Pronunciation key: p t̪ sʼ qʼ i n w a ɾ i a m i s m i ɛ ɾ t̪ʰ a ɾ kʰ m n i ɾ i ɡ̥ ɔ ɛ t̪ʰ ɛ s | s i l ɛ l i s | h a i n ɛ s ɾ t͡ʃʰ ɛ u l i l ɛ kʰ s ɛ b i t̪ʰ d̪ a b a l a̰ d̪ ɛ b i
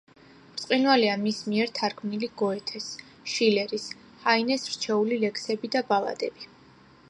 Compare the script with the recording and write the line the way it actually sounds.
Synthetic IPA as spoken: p t̪ sʼ qʼ i n w a l i a m i s m i ɛ ɾ t̪ʰ a ɾ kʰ m n i l i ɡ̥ ɔ ɛ t̪ʰ ɛ s | ʃ i l ɛ ɾ i s | h a i n ɛ s ɾ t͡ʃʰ ɛ u l i l ɛ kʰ s ɛ b i d̪ a b a l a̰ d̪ ɛ b i